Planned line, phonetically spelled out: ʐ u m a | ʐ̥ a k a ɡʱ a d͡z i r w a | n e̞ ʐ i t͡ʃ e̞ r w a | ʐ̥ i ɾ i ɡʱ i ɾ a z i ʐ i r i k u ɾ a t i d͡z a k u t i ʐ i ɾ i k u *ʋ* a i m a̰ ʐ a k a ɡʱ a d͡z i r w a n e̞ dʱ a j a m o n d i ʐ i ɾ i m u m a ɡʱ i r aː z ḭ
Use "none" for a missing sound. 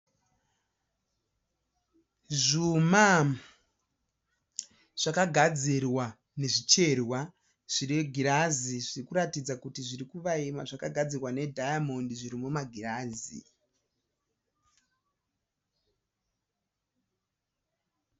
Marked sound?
ʋ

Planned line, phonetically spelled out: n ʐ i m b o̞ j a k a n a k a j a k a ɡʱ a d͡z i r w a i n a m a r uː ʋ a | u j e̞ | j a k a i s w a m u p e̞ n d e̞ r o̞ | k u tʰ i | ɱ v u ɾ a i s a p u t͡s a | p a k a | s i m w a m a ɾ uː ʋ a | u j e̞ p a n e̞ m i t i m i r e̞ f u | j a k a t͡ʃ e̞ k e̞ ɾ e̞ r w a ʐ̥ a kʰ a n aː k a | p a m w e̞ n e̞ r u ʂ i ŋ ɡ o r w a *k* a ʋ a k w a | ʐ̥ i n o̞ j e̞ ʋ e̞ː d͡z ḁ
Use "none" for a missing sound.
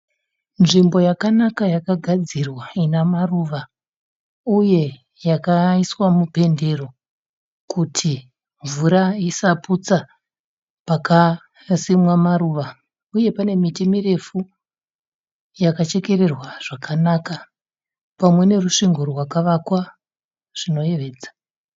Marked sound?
k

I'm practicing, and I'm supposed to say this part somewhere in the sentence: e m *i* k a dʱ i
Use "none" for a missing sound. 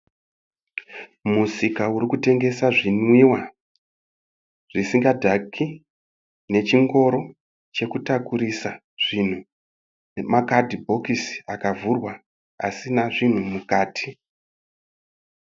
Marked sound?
a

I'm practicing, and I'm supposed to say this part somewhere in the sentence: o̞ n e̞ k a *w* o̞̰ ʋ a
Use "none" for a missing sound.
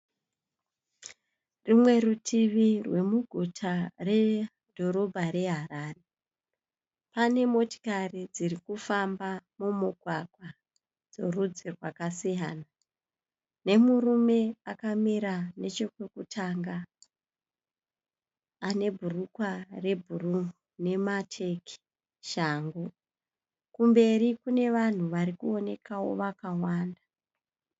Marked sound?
w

